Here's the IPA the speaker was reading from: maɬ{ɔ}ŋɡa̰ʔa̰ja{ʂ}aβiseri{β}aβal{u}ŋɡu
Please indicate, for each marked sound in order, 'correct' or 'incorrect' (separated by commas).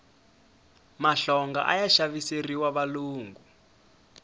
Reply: correct, incorrect, incorrect, incorrect